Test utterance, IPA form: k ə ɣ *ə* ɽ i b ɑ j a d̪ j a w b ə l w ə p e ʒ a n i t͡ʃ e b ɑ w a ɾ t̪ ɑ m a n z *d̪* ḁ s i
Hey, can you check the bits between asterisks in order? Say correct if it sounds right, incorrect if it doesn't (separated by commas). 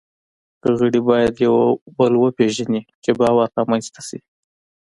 correct, incorrect